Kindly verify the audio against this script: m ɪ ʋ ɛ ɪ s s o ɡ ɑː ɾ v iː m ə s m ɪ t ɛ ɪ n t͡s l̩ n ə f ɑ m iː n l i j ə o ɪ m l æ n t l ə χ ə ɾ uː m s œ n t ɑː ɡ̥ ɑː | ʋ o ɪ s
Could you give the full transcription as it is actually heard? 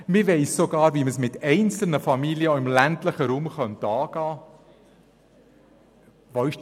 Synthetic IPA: m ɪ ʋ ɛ ɪ s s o ɡ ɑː ɾ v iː m ə s m ɪ t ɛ ɪ n t͡s l̩ n ə f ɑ m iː l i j ə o ɪ m l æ n t l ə χ ə ɾ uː m χ œ n t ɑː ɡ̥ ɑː | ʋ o ɪ ʃ